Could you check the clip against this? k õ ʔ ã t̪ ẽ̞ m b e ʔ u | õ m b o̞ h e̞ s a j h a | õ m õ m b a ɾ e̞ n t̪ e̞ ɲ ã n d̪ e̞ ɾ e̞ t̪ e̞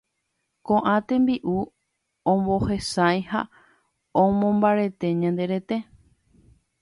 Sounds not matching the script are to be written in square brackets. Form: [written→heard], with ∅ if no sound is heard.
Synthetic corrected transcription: k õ ʔ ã t̪ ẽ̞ m b [e→i] ʔ u | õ m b o̞ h e̞ s a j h a | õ m õ m b a ɾ e̞ [n→∅] t̪ e̞ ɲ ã n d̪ e̞ ɾ e̞ t̪ e̞